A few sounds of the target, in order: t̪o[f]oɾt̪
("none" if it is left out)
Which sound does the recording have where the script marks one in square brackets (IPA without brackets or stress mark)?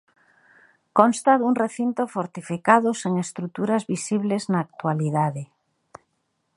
f